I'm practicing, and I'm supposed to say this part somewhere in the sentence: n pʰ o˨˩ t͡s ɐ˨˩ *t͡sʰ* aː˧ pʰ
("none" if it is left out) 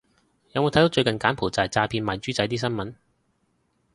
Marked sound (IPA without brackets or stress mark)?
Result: t͡s